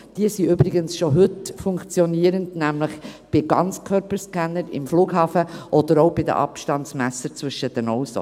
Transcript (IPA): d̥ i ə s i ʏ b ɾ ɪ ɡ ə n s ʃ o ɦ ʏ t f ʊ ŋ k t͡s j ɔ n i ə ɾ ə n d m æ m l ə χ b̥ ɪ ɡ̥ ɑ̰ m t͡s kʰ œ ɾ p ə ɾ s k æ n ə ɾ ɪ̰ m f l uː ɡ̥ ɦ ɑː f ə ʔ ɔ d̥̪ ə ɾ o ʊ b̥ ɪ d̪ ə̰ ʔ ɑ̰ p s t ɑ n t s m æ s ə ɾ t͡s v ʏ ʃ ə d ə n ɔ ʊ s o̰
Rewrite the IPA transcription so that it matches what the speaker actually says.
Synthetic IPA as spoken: d̥ i ə s i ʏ b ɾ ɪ ɡ ə n s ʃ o ɦ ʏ t f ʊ ŋ k t͡s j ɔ n i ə ɾ ə n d n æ m l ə χ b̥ ɪ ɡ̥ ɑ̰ n t͡s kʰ œ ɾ p ə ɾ s k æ n ə ɾ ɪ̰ m f l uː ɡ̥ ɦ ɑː f ə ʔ ɔ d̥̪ ə ɾ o ʊ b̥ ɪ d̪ ə̰ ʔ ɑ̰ p ʃ t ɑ n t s m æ s ə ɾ t͡s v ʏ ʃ ə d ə n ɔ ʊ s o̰

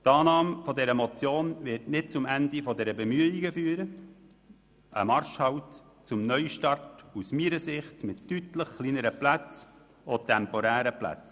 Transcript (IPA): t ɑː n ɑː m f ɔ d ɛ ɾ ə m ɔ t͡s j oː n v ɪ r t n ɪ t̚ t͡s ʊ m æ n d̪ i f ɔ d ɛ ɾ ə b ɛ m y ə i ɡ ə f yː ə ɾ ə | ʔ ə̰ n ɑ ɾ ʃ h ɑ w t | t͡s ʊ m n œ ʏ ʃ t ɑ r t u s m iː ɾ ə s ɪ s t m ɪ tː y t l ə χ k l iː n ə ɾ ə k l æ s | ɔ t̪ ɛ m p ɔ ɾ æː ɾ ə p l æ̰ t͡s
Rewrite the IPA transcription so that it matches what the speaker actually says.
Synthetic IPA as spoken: t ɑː n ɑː m f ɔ d ɛ ɾ ə m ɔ t͡s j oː n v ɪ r t n ɪ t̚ t͡s ʊ m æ n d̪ i f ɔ d ɛ ɾ ə b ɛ m y ə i ɡ ə f yː ə ɾ ə | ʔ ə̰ m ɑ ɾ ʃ h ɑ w t | t͡s ʊ m n œ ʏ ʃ t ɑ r t u s m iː ɾ ə s ɪ χ t m ɪ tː y t l ə χ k l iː n ə ɾ ə p l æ t͡s | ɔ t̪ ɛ m p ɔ ɾ æː ɾ ə p l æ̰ t͡s

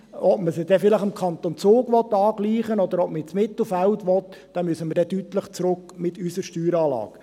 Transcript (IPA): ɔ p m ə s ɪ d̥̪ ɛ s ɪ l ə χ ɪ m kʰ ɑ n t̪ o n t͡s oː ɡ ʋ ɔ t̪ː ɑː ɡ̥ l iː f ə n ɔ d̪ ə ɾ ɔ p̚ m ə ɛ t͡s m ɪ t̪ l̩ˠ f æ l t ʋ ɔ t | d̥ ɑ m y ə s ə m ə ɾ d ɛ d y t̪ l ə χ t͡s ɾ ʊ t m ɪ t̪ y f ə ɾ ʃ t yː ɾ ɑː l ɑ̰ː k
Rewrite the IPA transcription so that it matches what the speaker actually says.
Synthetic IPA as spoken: ɔ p m ə s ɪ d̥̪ ɛ f ɪ l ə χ ɪ m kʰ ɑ n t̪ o n t͡s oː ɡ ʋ ɔ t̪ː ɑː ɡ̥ l iː χ ə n ɔ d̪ ə ɾ ɔ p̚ m ə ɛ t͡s m ɪ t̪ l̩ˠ f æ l t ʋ ɔ t | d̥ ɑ m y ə s ə m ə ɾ d ɛ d y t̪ l ə χ t͡s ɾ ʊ k m ɪ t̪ y s ə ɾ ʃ t yː ɾ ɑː l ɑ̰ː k

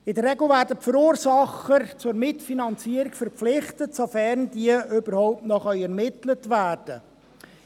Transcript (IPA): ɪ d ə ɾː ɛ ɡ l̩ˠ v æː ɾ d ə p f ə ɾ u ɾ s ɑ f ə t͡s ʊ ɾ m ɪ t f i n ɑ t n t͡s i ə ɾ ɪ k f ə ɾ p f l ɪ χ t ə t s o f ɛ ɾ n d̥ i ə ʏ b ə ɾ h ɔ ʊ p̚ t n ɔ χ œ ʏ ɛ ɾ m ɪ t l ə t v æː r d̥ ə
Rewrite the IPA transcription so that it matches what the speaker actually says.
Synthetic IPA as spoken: ɪ d ə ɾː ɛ ɡ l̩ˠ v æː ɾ d ə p f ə ɾ uː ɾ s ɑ χ ə t͡s ʊ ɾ m ɪ t f i n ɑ n t͡s i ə ɾ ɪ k f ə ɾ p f l ɪ χ t ə t s o f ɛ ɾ n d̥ i ə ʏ b ə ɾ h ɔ ʊ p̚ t n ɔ χ œ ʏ ɛ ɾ m ɪ t l ə t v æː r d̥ ə

